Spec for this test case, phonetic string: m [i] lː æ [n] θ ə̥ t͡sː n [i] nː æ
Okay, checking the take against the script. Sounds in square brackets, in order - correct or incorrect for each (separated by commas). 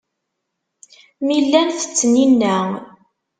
correct, correct, correct